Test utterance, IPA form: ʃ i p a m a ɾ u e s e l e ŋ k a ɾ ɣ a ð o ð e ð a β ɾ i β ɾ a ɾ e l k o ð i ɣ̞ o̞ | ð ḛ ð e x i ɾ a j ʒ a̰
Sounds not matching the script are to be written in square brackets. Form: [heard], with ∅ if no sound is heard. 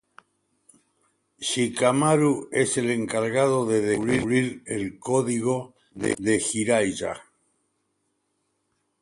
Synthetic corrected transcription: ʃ i [k] a m a ɾ u e s e l e ŋ k a ɾ ɣ a ð o ð e ð [e] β ɾ i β ɾ [i] ɾ e l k o ð i ɣ̞ o̞ | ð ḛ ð e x i ɾ a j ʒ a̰